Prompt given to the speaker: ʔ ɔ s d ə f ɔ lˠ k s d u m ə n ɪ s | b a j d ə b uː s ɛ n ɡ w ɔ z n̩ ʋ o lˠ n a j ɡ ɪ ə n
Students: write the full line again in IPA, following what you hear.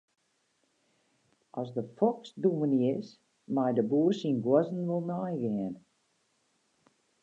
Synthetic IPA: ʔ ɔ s d ə f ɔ k s d u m ə n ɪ s | m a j d ə b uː s i n ɡ w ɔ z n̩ ʋ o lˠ n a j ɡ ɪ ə n